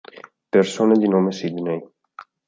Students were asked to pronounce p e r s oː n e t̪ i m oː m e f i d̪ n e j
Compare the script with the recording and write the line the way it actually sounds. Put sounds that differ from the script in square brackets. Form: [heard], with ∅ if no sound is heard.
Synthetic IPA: p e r s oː n e [d̪] i [n] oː m e [s] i d̪ n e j